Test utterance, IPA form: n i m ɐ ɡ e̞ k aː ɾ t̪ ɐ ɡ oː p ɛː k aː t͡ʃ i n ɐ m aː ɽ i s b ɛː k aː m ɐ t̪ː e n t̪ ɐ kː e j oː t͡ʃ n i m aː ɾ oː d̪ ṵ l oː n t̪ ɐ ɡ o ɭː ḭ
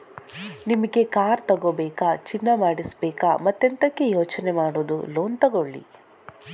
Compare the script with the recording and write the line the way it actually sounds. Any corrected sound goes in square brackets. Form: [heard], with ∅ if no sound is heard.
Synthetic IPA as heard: n i m ɐ ɡ e̞ k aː ɾ t̪ ɐ ɡ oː [b] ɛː k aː t͡ʃ i [nː] ɐ m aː ɽ i s b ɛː k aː m ɐ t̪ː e n t̪ ɐ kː e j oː t͡ʃ n [e] m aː [ɽ] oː d̪ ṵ l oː n t̪ ɐ ɡ o ɭː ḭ